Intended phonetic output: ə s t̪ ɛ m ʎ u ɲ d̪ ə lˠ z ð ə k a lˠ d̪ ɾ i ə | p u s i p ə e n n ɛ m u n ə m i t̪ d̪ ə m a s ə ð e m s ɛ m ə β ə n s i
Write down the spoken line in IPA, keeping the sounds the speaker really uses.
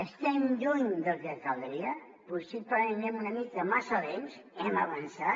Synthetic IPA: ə s t̪ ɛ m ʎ u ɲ d̪ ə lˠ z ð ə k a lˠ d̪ ɾ i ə | p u s i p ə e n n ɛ m u n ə m i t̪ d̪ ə m a s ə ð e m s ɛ m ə β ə n s a